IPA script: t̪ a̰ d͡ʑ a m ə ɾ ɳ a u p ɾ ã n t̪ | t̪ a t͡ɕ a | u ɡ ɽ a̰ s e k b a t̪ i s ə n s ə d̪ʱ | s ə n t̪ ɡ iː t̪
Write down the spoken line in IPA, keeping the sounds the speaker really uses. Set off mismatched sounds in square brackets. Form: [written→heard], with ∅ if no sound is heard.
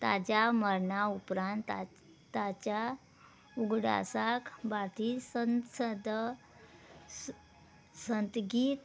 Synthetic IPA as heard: t̪ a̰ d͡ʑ a m ə ɾ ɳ a u p ɾ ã n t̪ | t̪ a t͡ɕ a | u ɡ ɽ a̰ s [e→a] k b a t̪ i s ə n s ə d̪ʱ | s ə n t̪ ɡ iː t̪